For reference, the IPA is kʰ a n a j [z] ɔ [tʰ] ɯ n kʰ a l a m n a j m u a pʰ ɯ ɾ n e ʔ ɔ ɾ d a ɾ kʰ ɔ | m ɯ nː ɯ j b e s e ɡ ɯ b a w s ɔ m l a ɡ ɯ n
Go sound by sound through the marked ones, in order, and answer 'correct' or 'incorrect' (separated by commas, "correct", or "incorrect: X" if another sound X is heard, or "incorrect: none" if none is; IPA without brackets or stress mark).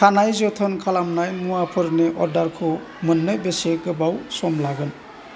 correct, correct